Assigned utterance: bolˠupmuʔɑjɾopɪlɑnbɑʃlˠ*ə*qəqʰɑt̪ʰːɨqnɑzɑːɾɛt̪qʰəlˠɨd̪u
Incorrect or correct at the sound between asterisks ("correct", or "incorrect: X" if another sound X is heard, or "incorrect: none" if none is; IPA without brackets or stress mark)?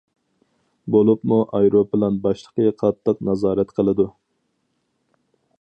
correct